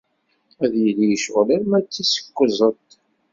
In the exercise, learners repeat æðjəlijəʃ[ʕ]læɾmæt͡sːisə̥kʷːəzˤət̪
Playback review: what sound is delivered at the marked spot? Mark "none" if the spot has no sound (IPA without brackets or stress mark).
ʁ